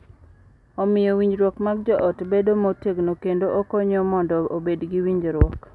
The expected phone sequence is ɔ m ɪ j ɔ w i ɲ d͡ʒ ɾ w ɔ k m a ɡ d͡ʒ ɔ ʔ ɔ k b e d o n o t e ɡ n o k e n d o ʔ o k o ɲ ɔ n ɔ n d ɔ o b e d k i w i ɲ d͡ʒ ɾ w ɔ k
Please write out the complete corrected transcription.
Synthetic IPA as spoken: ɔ m ɪ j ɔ w i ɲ d͡ʒ ɾ w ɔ k m a ɡ d͡ʒ ɔ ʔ ɔ t b e d o m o t e ɡ n o k e n d o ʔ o k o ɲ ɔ m ɔ n d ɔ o b e d ɡ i w i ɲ d͡ʒ ɾ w ɔ k